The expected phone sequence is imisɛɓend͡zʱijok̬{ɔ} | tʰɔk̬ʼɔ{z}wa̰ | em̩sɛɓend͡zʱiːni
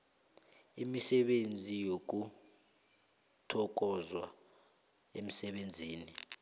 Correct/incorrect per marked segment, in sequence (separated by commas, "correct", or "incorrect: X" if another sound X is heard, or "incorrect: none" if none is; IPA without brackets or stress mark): incorrect: u, correct